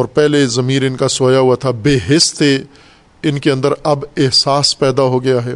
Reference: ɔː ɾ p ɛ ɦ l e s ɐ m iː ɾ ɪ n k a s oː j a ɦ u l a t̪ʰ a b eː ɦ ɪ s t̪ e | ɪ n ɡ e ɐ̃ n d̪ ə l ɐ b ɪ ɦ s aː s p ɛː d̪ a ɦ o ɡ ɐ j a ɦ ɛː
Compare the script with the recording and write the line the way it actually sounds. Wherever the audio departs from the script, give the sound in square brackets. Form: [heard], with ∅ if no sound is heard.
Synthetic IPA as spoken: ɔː ɾ p ɛ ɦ l e [z] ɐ m iː ɾ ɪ n k a s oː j a ɦ u [∅] a t̪ʰ a b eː ɦ ɪ s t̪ e | ɪ n [k] e ɐ̃ n d̪ ə [ɾ] ɐ b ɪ ɦ s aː s p ɛː d̪ a ɦ o ɡ ɐ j a ɦ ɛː